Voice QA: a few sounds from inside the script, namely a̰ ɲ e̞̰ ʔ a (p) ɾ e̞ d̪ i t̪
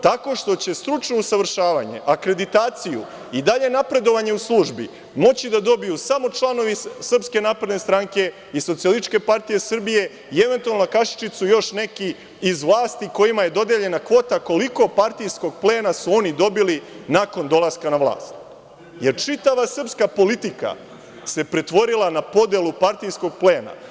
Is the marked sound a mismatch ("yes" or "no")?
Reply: yes